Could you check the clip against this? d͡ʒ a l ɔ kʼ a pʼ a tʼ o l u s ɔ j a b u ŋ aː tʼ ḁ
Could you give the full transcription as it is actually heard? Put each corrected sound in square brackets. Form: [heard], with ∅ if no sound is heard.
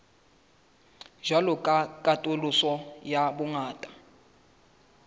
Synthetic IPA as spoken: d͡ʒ a l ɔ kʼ a [kʼ] a tʼ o l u s ɔ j a b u ŋ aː tʼ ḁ